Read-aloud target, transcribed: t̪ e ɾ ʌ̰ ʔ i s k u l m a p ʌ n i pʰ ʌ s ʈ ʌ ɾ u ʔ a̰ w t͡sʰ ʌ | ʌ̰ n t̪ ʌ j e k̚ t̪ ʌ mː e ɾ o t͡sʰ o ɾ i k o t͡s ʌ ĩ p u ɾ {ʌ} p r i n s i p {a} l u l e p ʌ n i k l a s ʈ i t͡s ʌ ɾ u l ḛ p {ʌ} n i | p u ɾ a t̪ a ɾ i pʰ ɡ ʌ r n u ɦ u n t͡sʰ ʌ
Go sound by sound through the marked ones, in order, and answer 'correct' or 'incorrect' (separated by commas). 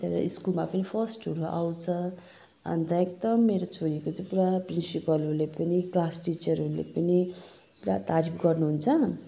incorrect, incorrect, correct